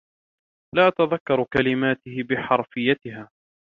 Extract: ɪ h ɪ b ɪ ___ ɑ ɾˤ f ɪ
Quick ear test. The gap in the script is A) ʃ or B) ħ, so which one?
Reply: B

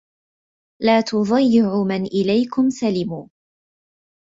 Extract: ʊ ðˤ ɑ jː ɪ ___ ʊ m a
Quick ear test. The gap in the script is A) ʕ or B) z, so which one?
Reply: A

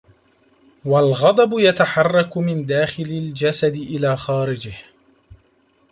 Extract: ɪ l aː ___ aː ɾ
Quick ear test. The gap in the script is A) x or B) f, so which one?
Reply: A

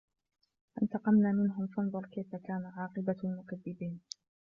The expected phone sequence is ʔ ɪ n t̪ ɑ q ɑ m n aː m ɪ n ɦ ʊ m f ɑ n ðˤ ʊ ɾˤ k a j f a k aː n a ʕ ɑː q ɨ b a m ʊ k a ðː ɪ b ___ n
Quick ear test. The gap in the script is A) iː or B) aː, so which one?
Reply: A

